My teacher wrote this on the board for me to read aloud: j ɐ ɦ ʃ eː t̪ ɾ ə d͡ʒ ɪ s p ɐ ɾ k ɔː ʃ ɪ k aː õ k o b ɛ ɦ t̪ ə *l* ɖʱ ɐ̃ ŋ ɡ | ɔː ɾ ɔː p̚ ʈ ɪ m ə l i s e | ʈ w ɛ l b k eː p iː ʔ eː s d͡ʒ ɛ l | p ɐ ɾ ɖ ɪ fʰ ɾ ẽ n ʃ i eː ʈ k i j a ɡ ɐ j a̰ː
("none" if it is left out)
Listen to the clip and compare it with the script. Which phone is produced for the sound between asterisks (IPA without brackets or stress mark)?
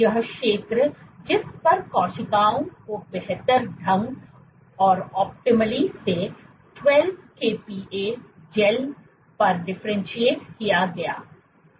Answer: ɾ